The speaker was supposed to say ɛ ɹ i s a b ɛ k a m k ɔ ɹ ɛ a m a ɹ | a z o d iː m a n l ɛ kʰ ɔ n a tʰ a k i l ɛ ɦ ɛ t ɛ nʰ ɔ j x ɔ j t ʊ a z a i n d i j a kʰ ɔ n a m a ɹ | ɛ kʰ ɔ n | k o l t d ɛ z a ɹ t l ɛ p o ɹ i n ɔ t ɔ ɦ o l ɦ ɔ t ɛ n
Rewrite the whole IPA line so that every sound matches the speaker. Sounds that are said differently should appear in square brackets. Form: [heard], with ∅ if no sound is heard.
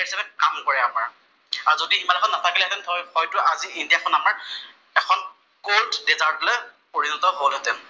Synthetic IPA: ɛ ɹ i s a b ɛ k a m k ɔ ɹ ɛ a m a ɹ | a z o d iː m a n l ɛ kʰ ɔ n a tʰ a k i l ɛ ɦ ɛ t ɛ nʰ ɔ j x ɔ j t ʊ a z [i] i n d i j a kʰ ɔ n a m a ɹ | ɛ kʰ ɔ n | k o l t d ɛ z a ɹ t l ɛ p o ɹ i n ɔ t ɔ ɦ o l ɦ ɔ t ɛ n